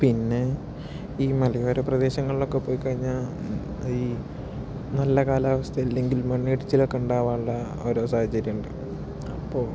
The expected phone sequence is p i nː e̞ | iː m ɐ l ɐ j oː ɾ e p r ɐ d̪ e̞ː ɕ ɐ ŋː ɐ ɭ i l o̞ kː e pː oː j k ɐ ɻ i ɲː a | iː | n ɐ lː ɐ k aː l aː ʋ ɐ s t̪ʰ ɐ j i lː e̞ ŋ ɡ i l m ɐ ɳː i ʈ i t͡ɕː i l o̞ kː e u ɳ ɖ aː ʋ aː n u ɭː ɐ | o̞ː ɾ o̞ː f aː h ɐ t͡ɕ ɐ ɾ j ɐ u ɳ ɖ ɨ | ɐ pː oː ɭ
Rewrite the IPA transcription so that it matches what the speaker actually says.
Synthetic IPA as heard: p i nː e̞ | iː m ɐ l ɐ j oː ɾ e p r ɐ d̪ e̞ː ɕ ɐ ŋː ɐ ɭ i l o̞ kː e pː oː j k ɐ ɻ i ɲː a | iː | n ɐ lː ɐ k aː l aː ʋ ɐ s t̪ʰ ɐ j i lː e̞ ŋ ɡ i l m ɐ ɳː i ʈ i t͡ɕː i l o̞ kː e u ɳ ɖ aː ʋ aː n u ɭː ɐ | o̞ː ɾ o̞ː s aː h ɐ t͡ɕ ɐ ɾ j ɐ u ɳ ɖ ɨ | ɐ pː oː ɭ